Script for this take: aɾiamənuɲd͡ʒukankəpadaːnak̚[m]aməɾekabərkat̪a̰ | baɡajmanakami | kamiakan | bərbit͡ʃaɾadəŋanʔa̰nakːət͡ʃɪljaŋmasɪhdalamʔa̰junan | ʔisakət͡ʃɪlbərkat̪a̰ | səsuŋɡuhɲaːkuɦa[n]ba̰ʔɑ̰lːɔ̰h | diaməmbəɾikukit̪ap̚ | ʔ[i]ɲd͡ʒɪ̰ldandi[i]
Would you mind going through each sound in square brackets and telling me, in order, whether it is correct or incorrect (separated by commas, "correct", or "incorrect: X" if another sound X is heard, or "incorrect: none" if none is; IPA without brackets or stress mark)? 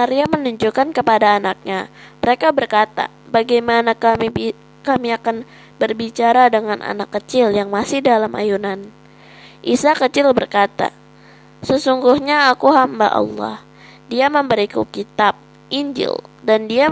incorrect: ɲ, incorrect: m, correct, incorrect: a